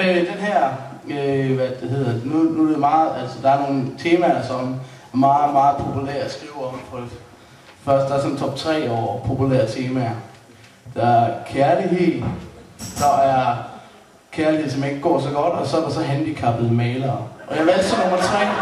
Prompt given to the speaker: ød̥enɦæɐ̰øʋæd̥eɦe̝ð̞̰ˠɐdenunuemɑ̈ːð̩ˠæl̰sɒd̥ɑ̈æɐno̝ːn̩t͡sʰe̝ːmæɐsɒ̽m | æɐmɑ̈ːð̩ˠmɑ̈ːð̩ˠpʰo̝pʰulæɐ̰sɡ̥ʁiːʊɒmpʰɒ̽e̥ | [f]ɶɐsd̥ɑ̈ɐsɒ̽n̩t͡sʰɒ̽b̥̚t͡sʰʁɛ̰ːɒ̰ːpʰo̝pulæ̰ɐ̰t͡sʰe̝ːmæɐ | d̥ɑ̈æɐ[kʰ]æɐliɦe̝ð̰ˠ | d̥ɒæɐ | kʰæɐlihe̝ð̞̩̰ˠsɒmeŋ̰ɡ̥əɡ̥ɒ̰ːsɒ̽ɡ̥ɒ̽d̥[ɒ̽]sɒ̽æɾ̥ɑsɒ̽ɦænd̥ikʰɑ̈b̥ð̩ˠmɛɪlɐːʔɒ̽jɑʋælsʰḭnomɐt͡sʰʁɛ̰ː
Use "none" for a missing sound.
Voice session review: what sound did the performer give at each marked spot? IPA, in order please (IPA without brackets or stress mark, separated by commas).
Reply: f, kʰ, ɒ̽